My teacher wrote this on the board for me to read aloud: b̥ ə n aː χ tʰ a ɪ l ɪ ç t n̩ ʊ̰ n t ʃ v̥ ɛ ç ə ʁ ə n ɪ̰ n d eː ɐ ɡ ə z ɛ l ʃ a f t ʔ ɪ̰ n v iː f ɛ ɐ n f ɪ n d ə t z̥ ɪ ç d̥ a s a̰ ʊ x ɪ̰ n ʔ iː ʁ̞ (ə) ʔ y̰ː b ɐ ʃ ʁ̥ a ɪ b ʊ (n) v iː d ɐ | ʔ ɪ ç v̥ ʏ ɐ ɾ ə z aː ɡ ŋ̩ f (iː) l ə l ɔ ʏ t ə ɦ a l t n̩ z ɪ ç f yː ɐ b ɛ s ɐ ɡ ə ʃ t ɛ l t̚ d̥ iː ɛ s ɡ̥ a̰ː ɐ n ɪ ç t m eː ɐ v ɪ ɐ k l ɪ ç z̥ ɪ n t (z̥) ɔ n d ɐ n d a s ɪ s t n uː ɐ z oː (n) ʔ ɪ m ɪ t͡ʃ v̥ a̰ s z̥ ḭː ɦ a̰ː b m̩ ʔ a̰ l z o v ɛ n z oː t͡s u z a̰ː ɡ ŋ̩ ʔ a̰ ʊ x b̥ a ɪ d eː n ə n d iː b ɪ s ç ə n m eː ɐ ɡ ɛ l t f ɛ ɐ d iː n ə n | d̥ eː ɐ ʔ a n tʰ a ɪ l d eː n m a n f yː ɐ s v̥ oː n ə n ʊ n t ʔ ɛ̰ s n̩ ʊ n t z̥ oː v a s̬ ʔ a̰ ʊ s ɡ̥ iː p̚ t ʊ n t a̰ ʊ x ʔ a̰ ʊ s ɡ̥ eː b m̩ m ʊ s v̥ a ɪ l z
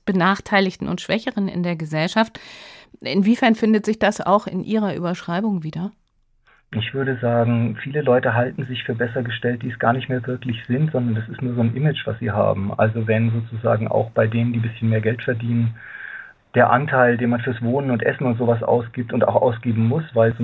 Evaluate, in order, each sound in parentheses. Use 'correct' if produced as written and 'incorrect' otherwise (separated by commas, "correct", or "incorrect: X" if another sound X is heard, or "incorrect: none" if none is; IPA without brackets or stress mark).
incorrect: ɐ, incorrect: ŋ, correct, correct, correct